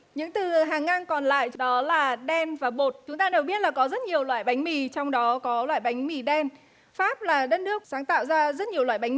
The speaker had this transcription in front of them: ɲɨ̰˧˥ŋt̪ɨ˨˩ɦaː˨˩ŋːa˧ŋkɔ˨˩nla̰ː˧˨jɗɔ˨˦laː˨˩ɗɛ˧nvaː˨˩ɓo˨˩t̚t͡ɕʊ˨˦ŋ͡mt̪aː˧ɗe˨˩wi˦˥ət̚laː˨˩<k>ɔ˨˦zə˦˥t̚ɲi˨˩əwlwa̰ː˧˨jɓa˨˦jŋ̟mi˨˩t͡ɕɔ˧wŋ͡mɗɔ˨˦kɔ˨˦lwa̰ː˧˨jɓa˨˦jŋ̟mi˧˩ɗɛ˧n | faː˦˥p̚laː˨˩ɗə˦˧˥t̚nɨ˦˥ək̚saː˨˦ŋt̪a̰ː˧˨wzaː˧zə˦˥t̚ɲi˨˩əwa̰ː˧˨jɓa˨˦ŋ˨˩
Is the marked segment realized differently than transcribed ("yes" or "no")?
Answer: no